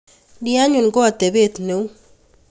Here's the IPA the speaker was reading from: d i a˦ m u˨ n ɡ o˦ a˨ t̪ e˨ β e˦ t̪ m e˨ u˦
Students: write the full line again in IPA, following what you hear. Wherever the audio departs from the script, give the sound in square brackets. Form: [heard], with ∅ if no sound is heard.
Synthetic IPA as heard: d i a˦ [ɲ] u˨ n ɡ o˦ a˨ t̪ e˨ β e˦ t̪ [n] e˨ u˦

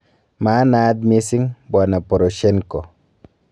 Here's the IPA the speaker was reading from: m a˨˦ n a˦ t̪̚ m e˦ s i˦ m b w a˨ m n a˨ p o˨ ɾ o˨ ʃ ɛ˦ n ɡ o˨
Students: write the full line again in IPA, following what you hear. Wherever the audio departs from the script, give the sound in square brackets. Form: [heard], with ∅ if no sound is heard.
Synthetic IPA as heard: m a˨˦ n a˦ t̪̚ m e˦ s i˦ [ŋ] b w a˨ [∅] n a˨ p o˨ ɾ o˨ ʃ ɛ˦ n [k] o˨

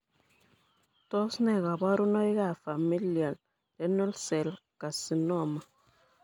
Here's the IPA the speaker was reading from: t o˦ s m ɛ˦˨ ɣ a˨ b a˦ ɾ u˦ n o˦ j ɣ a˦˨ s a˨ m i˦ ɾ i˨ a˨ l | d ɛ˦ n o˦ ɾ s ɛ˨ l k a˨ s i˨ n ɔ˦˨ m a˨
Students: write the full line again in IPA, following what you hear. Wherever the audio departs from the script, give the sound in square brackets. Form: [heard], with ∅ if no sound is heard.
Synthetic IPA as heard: t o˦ s [n] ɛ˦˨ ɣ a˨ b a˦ ɾ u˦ n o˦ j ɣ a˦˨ [f] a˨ m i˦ [l] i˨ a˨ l | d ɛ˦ n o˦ [l] s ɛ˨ l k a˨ s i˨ n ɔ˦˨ m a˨

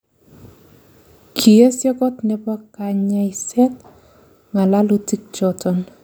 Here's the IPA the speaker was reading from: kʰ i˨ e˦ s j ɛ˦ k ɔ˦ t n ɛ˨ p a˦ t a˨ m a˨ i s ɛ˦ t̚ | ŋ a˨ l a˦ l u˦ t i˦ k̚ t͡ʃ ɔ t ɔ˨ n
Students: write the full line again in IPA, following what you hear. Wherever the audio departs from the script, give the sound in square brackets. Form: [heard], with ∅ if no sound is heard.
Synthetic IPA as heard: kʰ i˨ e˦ s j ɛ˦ k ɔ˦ t n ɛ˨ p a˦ [k] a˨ [ɲ] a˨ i s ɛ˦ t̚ | ŋ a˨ l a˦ l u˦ t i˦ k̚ t͡ʃ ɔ t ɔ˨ n

